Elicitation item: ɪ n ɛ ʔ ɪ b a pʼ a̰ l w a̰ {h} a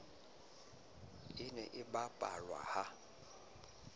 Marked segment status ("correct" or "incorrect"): correct